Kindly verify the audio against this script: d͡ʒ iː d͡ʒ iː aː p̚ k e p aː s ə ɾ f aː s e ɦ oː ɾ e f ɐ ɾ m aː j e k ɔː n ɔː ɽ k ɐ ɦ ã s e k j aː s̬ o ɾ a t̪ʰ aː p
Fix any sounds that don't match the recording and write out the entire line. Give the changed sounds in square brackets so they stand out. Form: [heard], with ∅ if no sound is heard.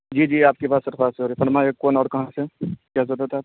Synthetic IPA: d͡ʒ iː d͡ʒ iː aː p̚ k e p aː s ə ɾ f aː s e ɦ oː ɾ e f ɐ ɾ m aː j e k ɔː n ɔː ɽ k ɐ ɦ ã s e k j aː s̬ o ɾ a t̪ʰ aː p